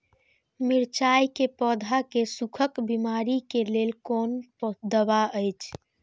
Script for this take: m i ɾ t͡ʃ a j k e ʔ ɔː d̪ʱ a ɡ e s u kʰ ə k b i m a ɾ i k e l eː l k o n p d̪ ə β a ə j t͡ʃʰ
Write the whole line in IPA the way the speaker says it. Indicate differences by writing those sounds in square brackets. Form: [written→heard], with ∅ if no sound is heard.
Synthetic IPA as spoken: m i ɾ t͡ʃ a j k e [ʔ→p] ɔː d̪ʱ a [ɡ→k] e s u kʰ ə k b i m a ɾ i k e l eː l k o n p d̪ ə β a ə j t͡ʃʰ